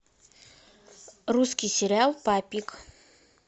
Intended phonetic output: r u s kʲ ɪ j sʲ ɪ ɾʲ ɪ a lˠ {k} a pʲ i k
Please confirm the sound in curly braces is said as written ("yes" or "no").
no